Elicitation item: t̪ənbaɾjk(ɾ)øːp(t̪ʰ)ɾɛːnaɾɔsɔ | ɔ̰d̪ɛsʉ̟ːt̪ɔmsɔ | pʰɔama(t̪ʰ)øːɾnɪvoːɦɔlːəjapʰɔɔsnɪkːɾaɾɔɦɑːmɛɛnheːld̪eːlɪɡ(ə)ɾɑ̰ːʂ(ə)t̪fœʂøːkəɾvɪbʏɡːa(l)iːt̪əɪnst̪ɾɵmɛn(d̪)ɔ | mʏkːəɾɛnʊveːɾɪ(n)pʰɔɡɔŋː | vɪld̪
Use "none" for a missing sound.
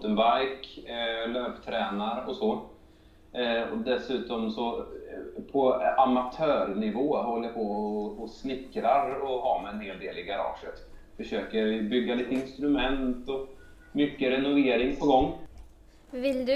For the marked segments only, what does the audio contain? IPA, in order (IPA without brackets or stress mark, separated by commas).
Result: l, t̪ʰ, t̪ʰ, a, ə, l, t̪, ŋ